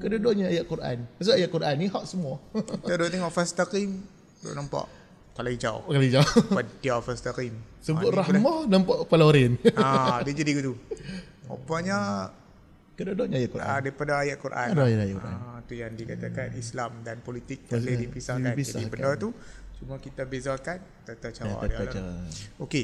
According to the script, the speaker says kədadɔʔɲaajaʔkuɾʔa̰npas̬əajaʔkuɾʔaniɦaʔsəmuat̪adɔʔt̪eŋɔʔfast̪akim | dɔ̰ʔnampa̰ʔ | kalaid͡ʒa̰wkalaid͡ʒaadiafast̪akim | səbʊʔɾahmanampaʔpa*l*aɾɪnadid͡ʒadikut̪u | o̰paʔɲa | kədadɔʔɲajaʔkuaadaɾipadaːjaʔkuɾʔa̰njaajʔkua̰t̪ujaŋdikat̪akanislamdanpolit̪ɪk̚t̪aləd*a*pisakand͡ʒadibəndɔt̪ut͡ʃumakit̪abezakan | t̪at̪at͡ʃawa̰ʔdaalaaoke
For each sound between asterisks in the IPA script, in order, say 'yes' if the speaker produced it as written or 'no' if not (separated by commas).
yes, no